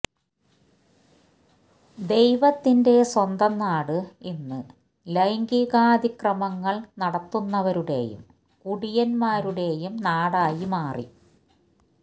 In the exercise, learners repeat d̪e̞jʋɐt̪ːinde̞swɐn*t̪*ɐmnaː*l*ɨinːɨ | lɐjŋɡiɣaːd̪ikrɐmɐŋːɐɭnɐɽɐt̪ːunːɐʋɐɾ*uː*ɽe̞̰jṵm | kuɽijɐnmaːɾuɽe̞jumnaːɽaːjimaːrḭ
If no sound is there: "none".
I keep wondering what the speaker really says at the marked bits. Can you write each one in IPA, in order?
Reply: d̪, ɽ, u

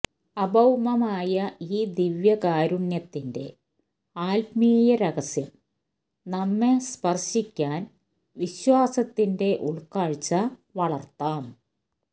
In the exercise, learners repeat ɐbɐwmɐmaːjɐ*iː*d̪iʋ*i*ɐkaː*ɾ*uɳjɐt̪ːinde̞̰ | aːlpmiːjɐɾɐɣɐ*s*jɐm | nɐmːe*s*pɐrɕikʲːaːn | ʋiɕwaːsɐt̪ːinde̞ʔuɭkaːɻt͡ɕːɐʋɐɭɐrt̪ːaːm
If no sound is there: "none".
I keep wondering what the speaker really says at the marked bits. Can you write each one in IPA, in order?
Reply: iː, j, ɾ, s, s

